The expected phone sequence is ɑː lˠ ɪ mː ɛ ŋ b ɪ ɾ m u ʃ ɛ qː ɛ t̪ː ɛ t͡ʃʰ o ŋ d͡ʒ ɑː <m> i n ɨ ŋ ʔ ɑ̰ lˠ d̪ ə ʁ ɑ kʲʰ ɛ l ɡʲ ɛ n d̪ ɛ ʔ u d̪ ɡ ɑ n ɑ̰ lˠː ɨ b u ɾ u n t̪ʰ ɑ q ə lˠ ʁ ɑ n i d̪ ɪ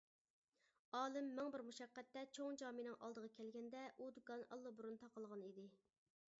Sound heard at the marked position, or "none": m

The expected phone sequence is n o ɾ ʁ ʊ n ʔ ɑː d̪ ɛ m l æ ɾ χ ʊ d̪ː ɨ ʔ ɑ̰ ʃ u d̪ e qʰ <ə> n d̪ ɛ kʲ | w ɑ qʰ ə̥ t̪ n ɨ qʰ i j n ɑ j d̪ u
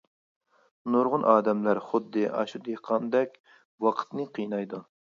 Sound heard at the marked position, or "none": ɑ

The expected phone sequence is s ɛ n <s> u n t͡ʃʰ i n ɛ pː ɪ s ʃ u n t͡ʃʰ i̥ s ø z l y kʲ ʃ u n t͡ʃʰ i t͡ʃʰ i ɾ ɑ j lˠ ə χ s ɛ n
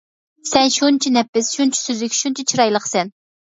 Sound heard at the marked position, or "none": ʃ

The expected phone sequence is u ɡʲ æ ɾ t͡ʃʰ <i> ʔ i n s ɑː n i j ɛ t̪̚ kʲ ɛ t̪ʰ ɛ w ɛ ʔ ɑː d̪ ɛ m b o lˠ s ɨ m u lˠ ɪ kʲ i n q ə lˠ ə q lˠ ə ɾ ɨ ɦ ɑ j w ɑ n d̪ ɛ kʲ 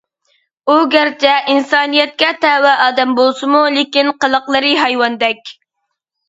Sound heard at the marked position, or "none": ɛ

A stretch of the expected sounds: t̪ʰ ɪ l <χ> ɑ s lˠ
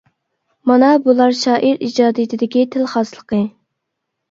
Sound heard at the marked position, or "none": χ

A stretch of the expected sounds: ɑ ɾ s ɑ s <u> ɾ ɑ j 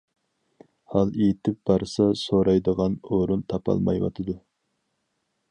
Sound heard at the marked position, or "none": o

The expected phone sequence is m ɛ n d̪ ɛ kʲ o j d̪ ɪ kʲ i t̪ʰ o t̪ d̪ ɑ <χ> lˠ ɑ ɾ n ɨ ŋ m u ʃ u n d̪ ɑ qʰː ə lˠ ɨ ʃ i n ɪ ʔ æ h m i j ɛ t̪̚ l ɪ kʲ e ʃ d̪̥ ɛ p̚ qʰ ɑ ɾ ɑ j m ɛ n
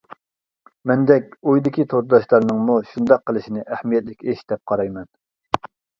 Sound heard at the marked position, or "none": ʃ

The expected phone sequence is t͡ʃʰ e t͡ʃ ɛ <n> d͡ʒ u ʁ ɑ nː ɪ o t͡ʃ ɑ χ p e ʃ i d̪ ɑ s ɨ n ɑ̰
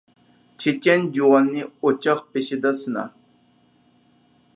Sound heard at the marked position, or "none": n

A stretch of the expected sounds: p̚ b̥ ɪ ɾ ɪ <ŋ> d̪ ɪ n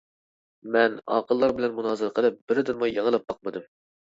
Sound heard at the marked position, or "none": none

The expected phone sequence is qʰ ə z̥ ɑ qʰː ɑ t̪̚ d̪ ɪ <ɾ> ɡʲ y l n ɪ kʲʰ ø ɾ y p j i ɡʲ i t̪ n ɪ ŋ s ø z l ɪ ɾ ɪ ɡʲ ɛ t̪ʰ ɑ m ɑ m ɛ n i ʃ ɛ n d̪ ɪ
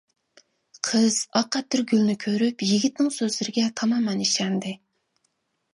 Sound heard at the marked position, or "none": ɾ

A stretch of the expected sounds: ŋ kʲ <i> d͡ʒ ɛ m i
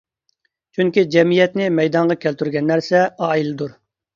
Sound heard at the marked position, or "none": i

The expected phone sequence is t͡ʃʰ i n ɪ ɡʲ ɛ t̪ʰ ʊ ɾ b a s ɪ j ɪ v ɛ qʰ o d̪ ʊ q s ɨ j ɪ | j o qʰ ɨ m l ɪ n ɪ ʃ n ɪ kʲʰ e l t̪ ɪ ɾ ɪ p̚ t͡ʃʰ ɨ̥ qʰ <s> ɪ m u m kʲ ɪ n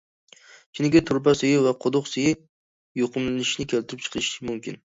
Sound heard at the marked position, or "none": ʃ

